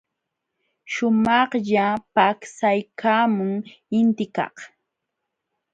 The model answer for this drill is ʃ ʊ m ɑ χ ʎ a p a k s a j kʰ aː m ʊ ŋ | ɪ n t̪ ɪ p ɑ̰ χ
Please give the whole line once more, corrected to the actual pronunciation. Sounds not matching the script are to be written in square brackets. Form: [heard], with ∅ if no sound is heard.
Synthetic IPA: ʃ ʊ m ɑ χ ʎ a p a k s a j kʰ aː m ʊ ŋ | ɪ n t̪ ɪ [k] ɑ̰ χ